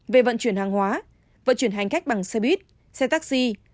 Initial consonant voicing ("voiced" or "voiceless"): voiced